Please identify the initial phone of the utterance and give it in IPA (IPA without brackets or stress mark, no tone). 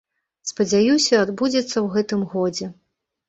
s